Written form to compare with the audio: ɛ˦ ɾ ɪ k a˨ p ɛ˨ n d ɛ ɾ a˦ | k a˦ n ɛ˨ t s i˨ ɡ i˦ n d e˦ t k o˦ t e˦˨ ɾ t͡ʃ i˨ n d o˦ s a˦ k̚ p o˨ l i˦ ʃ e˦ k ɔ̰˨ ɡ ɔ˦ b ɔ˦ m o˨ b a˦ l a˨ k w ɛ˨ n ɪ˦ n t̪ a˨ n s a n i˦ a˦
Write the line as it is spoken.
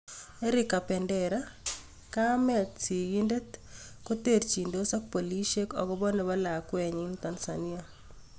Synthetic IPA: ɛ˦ ɾ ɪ k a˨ p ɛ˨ n d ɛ ɾ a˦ | k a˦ m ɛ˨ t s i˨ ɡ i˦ n d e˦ t k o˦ t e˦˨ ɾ t͡ʃ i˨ n d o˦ s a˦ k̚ p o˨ l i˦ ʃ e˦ k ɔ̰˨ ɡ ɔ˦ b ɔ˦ n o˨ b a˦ l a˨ k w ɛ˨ ɲ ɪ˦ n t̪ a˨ n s a n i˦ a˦